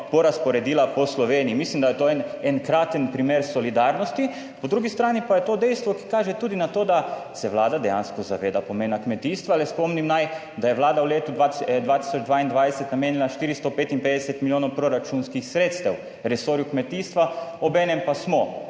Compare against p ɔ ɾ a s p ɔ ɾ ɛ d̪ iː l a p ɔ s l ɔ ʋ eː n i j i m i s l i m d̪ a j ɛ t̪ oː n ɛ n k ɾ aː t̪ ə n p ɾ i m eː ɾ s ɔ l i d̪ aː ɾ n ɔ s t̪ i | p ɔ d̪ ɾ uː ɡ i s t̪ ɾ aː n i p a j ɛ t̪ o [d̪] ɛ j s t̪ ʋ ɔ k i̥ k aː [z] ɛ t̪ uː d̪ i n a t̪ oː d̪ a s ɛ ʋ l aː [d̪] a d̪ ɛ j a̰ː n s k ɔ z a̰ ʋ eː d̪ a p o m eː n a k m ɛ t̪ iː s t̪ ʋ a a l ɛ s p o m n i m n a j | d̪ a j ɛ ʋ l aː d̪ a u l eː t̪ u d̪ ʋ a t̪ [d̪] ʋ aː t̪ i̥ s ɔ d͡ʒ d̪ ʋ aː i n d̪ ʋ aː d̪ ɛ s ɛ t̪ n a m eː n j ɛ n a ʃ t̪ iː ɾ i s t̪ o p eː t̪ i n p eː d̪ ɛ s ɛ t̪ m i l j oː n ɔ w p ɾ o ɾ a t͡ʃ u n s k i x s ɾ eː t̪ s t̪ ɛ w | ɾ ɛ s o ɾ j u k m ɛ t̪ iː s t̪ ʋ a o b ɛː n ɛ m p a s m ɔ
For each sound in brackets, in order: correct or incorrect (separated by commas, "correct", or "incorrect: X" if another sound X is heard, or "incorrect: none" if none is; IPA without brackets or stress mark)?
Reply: correct, incorrect: ʒ, correct, correct